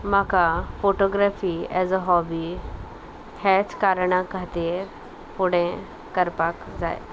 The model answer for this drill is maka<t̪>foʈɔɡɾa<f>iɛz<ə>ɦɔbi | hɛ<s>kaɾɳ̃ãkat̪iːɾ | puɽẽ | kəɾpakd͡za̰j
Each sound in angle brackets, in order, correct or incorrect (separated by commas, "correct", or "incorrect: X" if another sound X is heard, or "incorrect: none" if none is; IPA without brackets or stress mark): incorrect: none, correct, correct, incorrect: t͡s